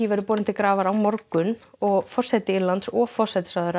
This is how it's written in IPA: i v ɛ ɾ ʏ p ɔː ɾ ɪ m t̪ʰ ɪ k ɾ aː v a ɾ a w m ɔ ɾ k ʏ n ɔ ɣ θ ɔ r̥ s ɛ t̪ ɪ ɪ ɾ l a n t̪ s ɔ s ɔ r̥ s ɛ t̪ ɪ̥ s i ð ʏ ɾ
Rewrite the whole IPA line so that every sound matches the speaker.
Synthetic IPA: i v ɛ ɾ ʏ p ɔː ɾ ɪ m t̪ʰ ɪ k ɾ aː v a ɾ a w m ɔ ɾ k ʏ n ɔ ɣ f ɔ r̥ s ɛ t̪ ɪ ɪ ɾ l a n t̪ s ɔ f ɔ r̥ s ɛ t̪ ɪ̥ s a ð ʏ ɾ